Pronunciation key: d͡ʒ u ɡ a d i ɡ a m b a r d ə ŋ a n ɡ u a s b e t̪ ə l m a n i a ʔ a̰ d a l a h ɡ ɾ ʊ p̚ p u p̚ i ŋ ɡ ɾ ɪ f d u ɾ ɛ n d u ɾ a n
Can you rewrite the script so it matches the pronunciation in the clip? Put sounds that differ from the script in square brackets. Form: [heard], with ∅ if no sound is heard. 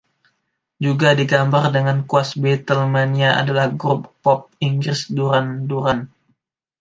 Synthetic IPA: d͡ʒ u ɡ a d i ɡ a m b a r d ə ŋ a n [k] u a s b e t̪ ə l m a n i a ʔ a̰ d a l a h ɡ ɾ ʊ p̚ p [ɔ] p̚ i ŋ ɡ ɾ ɪ [s] d u ɾ [a] n d u ɾ a n